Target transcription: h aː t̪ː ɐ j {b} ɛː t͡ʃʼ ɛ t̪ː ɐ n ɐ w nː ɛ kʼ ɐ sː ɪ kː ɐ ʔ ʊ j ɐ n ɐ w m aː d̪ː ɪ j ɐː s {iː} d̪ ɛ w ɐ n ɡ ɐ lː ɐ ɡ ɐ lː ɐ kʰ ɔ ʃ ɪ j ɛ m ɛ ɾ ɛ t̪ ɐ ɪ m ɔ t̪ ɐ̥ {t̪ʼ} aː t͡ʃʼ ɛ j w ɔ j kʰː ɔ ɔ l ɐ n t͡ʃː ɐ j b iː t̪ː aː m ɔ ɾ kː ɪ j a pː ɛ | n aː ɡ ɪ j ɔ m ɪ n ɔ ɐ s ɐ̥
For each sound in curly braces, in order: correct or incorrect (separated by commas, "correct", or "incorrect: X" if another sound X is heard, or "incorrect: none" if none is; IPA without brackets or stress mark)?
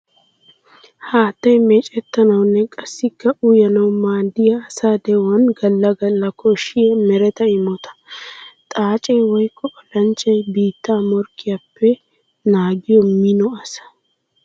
incorrect: m, incorrect: aː, correct